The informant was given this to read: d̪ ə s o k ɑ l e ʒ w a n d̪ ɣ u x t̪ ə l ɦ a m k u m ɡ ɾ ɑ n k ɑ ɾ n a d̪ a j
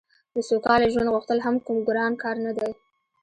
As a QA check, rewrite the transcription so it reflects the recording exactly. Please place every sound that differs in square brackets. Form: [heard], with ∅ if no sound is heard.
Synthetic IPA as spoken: d̪ ə s o k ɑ l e ʒ w a n d̪ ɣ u x t̪ ə l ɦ a m k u m ɡ ɾ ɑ n k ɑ ɾ n a d̪ a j